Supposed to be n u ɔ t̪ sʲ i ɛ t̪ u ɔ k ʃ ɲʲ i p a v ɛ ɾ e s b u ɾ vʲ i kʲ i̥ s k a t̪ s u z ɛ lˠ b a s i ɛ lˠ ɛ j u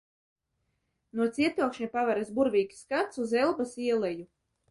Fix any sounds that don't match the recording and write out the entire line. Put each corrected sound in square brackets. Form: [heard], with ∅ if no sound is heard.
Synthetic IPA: n u ɔ t̪ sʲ i ɛ t̪ u ɔ k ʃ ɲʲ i p a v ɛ ɾ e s b u ɾ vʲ [iː] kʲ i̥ s k a t̪ s u z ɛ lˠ b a s i ɛ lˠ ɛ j u